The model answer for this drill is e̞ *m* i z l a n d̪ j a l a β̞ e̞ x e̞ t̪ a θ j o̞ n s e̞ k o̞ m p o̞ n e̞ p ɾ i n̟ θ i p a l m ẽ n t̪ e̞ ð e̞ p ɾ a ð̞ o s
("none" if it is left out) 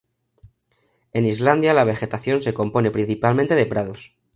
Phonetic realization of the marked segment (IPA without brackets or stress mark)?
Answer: n